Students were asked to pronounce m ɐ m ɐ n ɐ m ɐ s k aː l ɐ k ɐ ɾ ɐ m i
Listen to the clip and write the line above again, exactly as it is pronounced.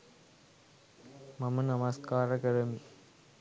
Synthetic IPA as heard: m ɐ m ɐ n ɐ m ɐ s k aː ɾ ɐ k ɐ ɾ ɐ m i